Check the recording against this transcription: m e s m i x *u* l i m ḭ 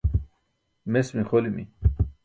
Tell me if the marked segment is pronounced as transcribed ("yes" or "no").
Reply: no